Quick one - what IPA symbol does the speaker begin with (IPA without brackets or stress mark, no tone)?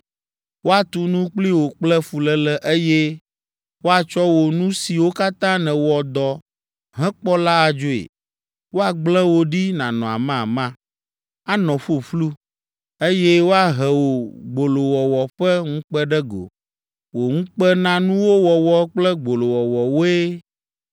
w